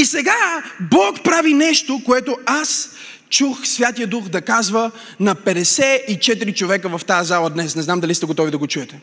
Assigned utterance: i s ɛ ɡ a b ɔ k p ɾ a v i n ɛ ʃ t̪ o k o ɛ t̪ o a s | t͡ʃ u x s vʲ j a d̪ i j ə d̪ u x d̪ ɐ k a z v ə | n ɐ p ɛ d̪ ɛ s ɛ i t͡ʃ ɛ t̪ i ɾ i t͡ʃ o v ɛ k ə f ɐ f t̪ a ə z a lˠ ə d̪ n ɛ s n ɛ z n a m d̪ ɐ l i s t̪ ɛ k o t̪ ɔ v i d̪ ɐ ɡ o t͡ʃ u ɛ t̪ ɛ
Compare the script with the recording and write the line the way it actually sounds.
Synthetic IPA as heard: i s ɛ ɡ a b ɔ k p ɾ a v i n ɛ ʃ t̪ o k o ɛ t̪ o a s | t͡ʃ u x s vʲ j a t̪ i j ə d̪ u x d̪ ɐ k a z v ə | n ɐ p ɛ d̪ ɛ s ɛ i t͡ʃ ɛ t̪ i ɾ i t͡ʃ o v ɛ k ə v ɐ f t̪ a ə z a lˠ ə d̪ n ɛ s n ɛ z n a m d̪ ɐ l i s t̪ ɛ ɡ o t̪ ɔ v i d̪ ɐ ɡ o t͡ʃ u ɛ t̪ ɛ